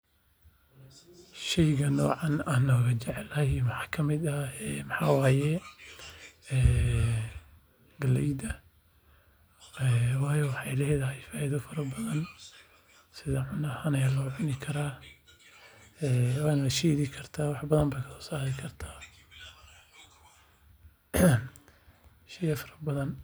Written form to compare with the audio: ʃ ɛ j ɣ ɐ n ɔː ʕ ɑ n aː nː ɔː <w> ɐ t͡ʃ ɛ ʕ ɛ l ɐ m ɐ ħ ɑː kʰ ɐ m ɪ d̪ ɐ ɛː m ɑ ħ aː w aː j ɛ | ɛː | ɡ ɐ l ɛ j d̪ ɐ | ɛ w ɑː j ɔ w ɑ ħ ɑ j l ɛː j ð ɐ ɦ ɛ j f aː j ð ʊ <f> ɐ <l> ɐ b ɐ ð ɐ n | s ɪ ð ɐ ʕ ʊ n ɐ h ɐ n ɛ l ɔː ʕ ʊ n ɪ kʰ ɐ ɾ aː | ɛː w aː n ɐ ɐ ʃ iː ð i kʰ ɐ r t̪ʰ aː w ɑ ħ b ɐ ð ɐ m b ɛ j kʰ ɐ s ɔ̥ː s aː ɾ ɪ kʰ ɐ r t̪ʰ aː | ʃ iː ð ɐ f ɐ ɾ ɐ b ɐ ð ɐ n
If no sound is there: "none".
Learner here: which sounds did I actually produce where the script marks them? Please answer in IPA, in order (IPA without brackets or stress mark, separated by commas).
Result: ɣ, f, ɾ